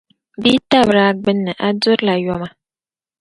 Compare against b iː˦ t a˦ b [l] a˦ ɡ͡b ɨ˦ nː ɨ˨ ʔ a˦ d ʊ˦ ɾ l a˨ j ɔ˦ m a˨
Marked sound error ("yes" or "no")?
yes